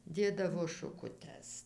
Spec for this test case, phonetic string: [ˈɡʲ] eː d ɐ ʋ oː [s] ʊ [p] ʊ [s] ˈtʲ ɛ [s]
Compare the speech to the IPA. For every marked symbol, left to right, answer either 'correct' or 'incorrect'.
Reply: incorrect, incorrect, incorrect, incorrect, correct

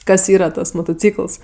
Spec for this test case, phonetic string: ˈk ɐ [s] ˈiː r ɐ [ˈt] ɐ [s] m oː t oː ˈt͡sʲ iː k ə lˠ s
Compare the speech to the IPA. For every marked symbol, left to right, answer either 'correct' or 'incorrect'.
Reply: correct, correct, correct

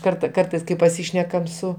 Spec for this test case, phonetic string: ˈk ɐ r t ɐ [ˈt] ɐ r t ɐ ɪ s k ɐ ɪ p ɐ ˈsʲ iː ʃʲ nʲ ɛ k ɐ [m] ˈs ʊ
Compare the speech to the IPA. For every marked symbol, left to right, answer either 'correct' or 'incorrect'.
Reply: incorrect, correct

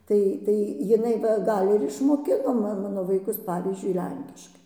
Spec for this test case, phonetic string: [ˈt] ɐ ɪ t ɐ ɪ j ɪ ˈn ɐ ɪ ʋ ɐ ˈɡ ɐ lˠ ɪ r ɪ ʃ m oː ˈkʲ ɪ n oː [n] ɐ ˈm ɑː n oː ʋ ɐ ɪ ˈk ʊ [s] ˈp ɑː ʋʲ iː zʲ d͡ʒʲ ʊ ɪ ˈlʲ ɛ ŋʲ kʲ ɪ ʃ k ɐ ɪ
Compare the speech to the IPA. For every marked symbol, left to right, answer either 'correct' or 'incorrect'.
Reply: correct, incorrect, correct

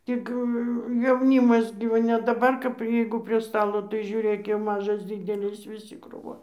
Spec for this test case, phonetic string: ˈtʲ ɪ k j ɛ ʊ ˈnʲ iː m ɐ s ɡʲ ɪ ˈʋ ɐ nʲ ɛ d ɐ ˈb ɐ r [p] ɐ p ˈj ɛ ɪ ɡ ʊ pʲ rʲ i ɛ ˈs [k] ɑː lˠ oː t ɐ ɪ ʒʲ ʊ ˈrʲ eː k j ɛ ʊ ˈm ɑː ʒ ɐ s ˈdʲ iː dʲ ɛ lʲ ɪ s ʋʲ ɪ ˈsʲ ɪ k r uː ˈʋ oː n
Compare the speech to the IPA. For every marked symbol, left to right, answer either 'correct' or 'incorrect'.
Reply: incorrect, incorrect

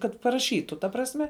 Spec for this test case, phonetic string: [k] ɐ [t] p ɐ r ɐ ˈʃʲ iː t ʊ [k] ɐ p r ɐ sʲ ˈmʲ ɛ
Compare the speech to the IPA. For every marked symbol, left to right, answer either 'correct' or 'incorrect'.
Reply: correct, correct, incorrect

